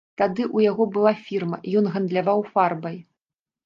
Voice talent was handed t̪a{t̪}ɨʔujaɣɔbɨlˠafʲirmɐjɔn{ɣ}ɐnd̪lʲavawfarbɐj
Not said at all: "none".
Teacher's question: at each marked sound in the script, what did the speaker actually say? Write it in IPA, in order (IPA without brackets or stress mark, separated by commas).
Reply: d̪, ɣ